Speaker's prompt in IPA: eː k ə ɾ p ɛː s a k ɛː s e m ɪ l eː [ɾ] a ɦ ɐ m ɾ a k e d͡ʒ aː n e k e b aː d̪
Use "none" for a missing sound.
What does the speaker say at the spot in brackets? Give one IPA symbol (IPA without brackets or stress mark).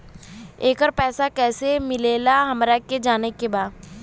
l